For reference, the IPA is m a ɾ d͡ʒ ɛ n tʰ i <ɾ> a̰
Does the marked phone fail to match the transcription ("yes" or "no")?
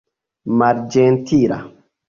no